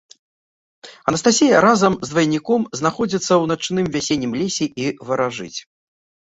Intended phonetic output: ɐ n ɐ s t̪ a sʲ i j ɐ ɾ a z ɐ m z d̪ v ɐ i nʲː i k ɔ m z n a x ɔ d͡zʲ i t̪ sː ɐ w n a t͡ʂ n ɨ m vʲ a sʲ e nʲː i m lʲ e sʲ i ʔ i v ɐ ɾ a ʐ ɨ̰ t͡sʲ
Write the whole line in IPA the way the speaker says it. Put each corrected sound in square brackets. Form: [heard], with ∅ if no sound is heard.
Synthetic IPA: ɐ n ɐ s t̪ a sʲ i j ɐ ɾ a z ɐ m z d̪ v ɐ [j] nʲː i k ɔ m z n a x ɔ d͡zʲ i t̪ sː ɐ w n a t͡ʂ n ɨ m vʲ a sʲ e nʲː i m lʲ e sʲ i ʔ i v ɐ ɾ a ʐ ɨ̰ t͡sʲ